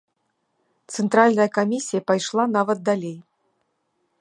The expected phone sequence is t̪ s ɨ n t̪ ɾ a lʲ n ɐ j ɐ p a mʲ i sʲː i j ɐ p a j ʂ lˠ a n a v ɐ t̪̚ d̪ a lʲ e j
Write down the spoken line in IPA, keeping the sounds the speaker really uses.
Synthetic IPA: t̪ s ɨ n t̪ ɾ a lʲ n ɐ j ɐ k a mʲ i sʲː i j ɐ p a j ʂ lˠ a n a v ɐ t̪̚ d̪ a lʲ e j